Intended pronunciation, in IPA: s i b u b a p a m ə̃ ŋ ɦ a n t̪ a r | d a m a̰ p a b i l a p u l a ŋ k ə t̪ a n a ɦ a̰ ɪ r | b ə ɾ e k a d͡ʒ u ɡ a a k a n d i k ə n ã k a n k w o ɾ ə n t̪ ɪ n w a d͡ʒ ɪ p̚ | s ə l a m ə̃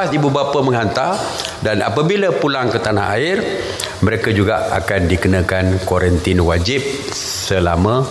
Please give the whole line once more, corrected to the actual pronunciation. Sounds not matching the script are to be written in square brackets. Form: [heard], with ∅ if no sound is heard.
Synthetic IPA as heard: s i b u b a p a m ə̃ ŋ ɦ a n t̪ a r | d a [n] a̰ p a b i l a p u l a ŋ k ə t̪ a n a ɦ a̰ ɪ r | [m] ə ɾ e k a d͡ʒ u ɡ a a k a n d i k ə n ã k a n k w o ɾ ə n t̪ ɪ n w a d͡ʒ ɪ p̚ | s ə l a m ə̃